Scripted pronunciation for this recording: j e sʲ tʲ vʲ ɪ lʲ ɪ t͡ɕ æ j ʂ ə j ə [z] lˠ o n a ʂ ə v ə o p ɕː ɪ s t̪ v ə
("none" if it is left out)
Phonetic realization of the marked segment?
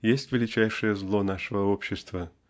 z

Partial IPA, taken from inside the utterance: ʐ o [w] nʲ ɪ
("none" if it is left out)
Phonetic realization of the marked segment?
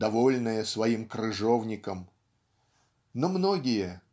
v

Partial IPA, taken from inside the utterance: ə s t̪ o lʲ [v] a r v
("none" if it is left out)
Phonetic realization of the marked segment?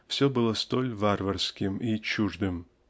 v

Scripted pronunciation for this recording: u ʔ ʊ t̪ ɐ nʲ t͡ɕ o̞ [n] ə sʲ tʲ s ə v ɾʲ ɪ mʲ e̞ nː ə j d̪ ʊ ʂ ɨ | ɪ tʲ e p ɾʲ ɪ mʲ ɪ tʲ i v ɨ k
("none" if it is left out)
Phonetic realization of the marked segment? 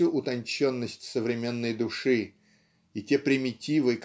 nː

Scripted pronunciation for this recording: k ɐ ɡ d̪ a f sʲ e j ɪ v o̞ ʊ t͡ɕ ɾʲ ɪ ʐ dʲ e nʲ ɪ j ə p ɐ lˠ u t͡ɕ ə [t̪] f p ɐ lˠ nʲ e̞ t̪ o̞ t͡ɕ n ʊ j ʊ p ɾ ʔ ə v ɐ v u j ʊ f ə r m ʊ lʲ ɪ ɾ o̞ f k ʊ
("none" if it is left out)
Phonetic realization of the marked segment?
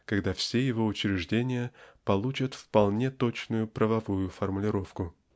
t̪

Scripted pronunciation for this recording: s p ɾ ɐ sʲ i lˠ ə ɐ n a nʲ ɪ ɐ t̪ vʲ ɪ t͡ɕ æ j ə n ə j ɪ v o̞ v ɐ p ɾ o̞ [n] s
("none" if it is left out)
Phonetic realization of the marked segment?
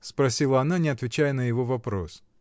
none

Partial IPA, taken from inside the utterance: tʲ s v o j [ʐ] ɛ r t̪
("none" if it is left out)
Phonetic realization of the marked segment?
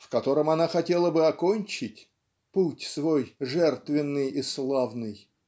ʐ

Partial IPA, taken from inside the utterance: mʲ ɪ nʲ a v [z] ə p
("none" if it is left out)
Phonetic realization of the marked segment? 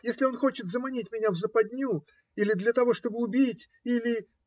z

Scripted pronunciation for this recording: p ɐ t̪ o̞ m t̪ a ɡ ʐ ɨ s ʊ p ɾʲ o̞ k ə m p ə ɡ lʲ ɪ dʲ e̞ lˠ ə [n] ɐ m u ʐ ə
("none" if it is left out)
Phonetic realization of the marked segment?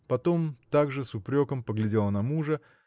n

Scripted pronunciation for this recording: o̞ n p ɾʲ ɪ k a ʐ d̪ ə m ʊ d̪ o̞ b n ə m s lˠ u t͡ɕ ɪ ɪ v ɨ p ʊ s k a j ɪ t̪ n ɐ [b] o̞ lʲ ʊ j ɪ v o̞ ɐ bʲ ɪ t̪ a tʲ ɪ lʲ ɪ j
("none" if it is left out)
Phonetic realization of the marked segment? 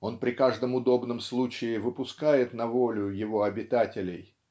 v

